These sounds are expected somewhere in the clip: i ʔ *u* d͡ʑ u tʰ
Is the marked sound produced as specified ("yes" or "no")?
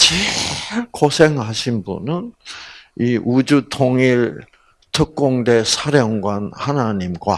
yes